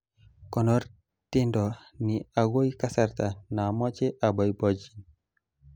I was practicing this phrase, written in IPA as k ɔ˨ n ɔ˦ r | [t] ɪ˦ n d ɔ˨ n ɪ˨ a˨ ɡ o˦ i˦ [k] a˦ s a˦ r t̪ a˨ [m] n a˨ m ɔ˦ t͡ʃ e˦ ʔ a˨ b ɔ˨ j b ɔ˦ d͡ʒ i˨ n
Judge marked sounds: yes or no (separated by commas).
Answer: yes, yes, no